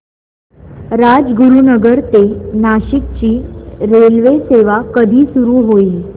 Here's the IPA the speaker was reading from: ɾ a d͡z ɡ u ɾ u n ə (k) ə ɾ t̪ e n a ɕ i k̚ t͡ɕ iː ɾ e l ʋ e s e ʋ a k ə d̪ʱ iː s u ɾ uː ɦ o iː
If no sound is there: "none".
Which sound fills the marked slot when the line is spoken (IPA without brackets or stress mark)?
ɡ